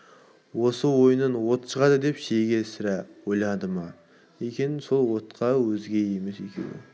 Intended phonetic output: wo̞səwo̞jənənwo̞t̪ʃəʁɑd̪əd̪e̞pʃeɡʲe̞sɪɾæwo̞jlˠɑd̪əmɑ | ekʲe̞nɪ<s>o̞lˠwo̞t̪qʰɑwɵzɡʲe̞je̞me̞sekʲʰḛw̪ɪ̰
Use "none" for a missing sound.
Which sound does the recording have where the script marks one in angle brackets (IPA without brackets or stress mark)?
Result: s